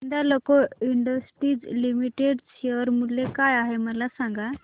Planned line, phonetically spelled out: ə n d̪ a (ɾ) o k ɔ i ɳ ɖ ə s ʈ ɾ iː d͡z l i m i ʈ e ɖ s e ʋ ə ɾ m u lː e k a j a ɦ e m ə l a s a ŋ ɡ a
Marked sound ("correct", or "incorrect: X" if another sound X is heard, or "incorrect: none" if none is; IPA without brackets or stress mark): incorrect: l